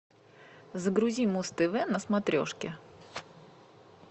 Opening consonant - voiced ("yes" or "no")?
yes